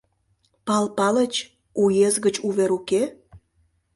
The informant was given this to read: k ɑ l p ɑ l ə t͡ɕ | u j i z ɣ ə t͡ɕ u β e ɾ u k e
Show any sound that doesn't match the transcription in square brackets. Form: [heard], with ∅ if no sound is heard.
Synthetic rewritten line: [p] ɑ l p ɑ l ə t͡ɕ | u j [e] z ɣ ə t͡ɕ u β e ɾ u k e